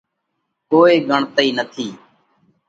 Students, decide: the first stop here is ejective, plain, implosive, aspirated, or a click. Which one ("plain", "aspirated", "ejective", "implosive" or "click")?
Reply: plain